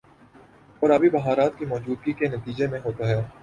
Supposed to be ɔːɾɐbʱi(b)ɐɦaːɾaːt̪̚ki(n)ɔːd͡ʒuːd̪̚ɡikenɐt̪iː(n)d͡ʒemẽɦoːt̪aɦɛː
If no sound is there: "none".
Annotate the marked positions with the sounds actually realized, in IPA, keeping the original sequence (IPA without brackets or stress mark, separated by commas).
b, m, none